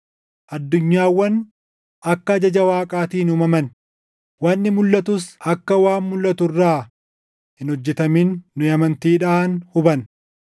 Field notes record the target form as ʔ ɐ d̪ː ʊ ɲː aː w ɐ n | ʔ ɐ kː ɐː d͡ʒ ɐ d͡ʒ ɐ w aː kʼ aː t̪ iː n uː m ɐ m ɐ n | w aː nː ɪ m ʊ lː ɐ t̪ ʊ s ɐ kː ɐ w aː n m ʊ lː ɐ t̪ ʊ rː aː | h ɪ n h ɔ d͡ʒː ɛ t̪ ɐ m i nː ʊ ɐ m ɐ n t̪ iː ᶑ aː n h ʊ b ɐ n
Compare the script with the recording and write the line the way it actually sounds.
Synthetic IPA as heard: ʔ ɐ d̪ː ʊ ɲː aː wː ɐ n | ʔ ɐ kː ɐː d͡ʒ ɐ d͡ʒ ɐ w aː kʼ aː t̪ iː n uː m ɐ m ɐ n | w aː nː ɪ m ʊ lː ɐ t̪ ʊ s ɐ kː ɐ w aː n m ʊ lː ɐ t̪ ʊ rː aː | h ɪ n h ɔ d͡ʒː ɛ t̪ ɐ m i nː ʊ ɐ m ɐ n t̪ iː ᶑ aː n h ʊ b ɐ n

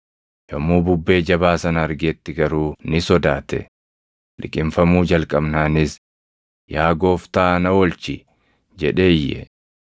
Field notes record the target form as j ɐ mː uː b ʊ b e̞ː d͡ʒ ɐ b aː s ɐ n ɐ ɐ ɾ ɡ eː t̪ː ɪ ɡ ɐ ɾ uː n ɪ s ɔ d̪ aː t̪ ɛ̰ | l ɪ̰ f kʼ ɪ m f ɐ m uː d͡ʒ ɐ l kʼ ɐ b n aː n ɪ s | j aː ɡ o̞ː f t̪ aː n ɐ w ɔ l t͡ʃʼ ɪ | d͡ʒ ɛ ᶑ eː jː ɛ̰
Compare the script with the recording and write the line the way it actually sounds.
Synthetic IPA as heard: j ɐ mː uː b ʊ bː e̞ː d͡ʒ ɐ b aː s ɐ n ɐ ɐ ɾ ɡ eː t̪ː ɪ ɡ ɐ ɾ uː n ɪ s ɔ d̪ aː t̪ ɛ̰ | l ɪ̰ kʼ ɪ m f ɐ m uː d͡ʒ ɐ l kʼ ɐ b n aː n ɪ s | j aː ɡ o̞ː f t̪ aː n ɐ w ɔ l t͡ʃ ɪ | d͡ʒ ɛ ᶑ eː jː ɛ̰

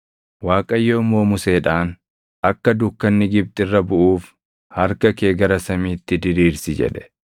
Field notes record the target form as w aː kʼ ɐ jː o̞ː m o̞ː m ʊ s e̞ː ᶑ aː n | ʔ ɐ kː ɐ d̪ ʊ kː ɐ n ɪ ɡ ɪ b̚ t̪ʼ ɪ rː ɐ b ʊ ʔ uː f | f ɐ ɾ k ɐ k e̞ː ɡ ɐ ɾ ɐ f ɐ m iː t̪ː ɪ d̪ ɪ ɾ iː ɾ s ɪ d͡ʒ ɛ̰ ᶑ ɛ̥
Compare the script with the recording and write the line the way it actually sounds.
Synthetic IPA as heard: w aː kʼ ɐ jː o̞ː m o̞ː m ʊ s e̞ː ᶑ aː n | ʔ ɐ kː ɐ d̪ ʊ kː ɐ nː ɪ ɡ ɪ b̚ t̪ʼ ɪ rː ɐ b ʊ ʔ uː f | h ɐ ɾ k ɐ k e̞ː ɡ ɐ ɾ ɐ s ɐ m iː t̪ː ɪ d̪ ɪ ɾ iː ɾ s ɪ d͡ʒ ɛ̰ ᶑ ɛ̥

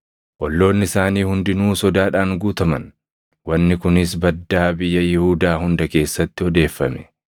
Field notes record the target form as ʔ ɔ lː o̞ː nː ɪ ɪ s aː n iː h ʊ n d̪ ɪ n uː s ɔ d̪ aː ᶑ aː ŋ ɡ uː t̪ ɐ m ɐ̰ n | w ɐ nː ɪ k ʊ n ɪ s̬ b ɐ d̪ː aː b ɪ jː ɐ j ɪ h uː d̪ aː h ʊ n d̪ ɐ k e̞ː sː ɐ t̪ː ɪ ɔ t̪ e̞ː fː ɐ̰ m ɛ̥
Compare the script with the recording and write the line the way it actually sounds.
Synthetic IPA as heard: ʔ ɔ lː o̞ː nː ɪ ɪ s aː n iː h ʊ n d̪ ɪ n uː s ɔ d̪ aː ᶑ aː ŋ ɡ uː t̪ ɐ m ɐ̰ n | w ɐ nː ɪ k ʊ n ɪ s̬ b ɐ d̪ː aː b ɪ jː ɐ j ɪ h uː d̪ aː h ʊ n d̪ ɐ k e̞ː sː ɐ t̪ː ɪ ɔ d̪ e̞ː fː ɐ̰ m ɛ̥

